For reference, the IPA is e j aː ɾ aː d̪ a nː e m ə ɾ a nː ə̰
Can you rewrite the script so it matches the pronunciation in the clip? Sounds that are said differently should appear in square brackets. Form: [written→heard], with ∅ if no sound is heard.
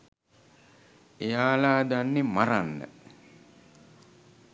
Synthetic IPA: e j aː [ɾ→l] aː d̪ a nː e m [ə→a] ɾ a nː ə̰